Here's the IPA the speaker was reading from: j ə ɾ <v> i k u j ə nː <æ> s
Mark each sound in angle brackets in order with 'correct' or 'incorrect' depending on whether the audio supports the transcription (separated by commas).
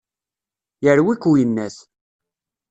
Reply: incorrect, correct